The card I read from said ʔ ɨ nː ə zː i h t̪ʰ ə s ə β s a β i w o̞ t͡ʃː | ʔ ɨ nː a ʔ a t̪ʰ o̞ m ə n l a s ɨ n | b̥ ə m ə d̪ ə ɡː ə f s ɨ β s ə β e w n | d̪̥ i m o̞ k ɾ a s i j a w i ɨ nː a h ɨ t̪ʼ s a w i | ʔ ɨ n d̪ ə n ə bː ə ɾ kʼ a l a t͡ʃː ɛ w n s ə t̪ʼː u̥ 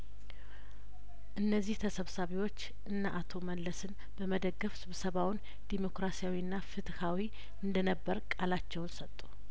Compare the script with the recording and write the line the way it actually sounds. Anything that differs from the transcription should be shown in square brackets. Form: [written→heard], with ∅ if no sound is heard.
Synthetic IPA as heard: ʔ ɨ nː ə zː i h t̪ʰ ə s ə β s a β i w o̞ t͡ʃː | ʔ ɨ nː a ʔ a t̪ʰ o̞ m ə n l [a→ə] s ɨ n | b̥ ə m ə d̪ ə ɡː ə f s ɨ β s ə β [e→a] w n | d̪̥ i m o̞ k ɾ a s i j a w i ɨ nː a [h→f] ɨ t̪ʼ [s→h] a w i | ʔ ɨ n d̪ ə n ə bː ə ɾ kʼ a l a t͡ʃː ɛ w n s ə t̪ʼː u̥